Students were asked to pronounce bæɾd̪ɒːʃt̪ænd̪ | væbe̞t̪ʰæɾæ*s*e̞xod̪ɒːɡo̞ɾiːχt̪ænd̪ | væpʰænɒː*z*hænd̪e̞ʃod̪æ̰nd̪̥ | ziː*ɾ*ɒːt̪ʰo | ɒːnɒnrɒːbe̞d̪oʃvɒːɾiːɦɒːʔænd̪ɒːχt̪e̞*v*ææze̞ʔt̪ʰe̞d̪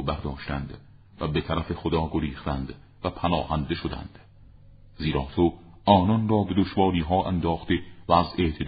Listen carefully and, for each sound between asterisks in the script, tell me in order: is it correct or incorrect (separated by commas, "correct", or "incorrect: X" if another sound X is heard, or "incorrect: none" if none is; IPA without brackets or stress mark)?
incorrect: f, incorrect: none, correct, correct